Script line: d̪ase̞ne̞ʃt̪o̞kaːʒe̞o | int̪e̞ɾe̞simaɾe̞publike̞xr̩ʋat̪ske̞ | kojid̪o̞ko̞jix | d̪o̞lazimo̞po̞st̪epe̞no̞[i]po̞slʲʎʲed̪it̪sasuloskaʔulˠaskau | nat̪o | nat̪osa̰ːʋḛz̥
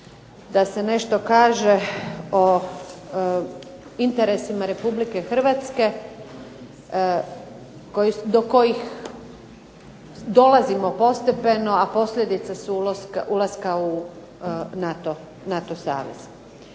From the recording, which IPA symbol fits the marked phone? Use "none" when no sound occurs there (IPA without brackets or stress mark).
a